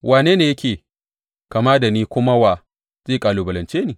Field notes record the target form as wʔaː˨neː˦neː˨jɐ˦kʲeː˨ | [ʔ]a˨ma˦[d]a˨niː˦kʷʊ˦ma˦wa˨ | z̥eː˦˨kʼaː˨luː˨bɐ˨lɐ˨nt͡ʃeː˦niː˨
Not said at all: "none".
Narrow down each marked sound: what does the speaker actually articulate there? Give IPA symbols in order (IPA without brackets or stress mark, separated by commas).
k, d